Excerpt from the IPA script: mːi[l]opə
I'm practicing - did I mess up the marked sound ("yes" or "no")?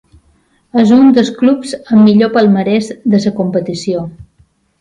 yes